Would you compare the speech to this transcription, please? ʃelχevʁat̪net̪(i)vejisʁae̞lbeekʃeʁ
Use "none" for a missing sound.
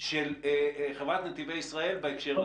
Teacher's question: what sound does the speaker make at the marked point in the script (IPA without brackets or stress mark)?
i